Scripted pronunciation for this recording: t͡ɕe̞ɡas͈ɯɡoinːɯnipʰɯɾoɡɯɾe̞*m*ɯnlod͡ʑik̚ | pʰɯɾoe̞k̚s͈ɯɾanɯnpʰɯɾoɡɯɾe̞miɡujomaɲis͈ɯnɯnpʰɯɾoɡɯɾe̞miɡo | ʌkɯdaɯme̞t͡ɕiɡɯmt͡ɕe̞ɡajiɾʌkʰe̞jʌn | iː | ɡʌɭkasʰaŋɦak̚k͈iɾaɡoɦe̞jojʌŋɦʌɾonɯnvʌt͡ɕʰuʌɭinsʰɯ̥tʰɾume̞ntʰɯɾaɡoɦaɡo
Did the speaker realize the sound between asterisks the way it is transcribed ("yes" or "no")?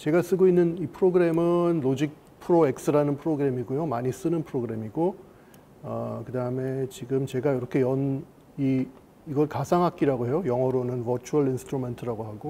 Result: yes